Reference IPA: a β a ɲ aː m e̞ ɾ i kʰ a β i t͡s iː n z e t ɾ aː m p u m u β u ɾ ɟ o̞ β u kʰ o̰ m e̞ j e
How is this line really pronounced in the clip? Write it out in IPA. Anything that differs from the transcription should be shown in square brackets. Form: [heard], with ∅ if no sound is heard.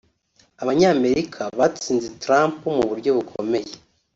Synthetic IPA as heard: a β a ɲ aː m e̞ ɾ i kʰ a β [a] t͡s iː n z e t ɾ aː m p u m u β u ɾ ɟ o̞ β u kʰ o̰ m e̞ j e